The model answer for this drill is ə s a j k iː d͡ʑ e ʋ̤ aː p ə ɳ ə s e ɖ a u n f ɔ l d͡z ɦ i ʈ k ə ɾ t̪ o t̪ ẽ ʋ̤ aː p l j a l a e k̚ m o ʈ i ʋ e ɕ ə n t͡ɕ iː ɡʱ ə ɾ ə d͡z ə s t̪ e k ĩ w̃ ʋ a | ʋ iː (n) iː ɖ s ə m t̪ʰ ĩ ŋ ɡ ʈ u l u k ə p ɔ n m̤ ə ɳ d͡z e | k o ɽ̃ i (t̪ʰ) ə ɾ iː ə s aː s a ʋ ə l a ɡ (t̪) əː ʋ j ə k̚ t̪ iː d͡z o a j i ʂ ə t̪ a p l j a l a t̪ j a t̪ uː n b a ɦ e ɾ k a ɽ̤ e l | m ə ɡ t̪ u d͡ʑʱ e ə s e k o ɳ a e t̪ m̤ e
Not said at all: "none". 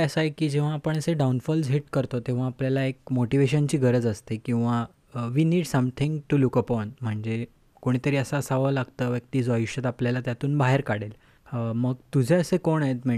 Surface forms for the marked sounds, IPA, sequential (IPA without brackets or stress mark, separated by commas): n, t̪, t̪